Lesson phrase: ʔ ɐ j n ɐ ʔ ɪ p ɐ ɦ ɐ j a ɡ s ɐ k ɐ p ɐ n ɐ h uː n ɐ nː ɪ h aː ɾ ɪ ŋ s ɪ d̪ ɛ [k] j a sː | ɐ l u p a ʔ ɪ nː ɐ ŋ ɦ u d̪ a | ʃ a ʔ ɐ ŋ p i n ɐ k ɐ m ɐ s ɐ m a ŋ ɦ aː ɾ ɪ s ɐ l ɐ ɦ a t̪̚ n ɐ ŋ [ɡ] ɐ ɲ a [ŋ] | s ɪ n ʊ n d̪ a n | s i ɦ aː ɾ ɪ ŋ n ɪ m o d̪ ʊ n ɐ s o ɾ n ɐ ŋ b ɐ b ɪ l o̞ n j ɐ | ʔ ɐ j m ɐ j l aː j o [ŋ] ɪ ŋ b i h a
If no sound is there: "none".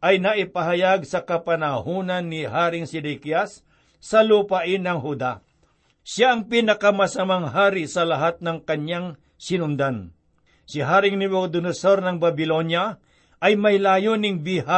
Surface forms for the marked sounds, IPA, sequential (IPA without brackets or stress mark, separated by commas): k, k, ŋ, n